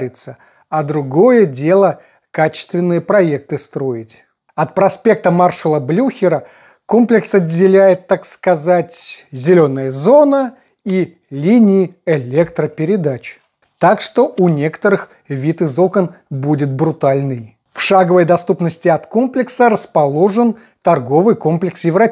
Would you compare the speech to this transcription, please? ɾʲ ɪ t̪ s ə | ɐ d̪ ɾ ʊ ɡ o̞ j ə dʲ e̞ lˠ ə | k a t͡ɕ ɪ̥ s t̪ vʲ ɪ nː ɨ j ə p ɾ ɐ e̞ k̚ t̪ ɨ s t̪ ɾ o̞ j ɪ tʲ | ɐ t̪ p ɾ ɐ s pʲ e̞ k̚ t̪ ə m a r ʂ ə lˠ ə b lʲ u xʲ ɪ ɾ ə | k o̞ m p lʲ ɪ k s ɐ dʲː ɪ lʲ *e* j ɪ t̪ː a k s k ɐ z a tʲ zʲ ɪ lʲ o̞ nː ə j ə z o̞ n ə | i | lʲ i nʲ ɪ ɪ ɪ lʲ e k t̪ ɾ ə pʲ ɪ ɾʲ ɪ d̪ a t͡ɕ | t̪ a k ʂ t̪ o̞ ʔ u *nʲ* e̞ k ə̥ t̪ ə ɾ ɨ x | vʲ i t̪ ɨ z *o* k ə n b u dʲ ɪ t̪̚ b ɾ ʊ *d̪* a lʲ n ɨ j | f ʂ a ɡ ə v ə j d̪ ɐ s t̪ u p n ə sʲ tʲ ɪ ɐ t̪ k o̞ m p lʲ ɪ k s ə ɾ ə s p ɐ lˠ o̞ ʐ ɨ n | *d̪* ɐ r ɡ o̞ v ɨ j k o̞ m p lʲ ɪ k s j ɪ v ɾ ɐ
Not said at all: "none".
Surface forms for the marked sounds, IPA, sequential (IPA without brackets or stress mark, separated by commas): æ, nʲ, o, t̪, t̪